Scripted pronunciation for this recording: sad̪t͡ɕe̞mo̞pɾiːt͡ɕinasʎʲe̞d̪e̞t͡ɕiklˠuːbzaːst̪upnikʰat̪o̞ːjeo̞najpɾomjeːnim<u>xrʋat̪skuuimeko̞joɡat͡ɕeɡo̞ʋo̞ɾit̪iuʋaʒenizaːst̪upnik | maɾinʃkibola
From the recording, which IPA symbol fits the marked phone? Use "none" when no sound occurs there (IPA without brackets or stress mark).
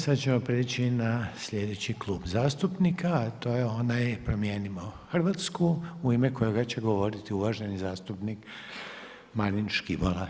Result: o